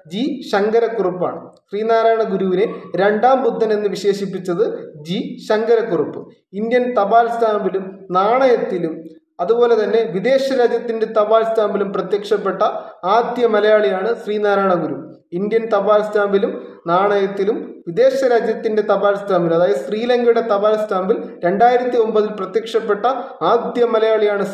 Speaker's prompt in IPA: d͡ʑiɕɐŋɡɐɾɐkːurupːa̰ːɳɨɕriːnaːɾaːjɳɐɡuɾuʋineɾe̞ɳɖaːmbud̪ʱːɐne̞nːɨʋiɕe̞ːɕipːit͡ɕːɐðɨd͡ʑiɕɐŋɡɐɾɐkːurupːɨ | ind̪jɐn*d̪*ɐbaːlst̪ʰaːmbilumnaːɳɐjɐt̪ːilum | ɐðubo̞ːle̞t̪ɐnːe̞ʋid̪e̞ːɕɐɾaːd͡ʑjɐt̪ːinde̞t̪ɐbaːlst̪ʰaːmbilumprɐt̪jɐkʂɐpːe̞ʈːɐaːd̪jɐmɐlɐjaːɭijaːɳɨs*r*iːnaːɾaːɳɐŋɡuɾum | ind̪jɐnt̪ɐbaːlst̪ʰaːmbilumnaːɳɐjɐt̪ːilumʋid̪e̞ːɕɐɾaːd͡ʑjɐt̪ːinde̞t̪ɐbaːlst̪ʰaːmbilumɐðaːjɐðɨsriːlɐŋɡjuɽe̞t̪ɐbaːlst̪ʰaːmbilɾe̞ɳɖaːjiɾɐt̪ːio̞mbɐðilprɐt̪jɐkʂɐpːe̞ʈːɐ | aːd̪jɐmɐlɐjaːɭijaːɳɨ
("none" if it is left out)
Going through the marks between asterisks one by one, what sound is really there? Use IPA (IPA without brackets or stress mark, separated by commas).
t̪, r